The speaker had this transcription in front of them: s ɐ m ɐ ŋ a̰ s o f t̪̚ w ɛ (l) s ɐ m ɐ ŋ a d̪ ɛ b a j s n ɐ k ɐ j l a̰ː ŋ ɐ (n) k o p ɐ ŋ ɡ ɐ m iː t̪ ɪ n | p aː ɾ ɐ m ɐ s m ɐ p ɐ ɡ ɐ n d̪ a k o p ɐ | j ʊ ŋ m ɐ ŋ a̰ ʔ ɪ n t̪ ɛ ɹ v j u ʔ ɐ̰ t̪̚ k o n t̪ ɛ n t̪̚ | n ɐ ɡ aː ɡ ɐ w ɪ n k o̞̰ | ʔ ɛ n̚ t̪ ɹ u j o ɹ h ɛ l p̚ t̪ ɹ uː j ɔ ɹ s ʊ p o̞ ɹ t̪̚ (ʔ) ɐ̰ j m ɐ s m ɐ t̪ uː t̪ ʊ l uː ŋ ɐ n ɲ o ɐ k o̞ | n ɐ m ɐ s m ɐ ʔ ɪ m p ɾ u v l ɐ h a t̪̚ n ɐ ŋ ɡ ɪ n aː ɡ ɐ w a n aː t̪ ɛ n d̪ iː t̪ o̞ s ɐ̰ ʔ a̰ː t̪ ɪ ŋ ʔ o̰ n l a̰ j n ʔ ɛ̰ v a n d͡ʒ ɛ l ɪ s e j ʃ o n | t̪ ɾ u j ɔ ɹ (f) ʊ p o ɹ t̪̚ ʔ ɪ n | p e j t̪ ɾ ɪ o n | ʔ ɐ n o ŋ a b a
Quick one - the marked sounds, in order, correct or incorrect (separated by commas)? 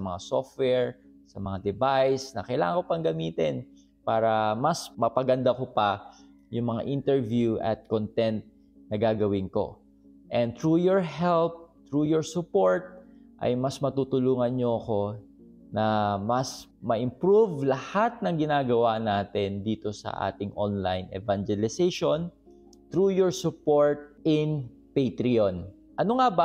incorrect, incorrect, correct, incorrect